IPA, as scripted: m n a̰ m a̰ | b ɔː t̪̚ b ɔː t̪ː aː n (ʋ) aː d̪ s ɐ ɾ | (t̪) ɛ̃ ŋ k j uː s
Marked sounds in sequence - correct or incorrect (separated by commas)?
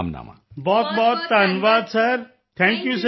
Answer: correct, incorrect